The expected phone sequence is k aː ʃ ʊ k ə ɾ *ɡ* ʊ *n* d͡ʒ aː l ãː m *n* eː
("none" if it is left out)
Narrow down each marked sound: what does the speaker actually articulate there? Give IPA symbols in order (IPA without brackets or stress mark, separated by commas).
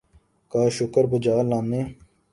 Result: b, none, n